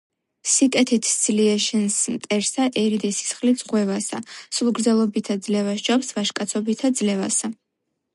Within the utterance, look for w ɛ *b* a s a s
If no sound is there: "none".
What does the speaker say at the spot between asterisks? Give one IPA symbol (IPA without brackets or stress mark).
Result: v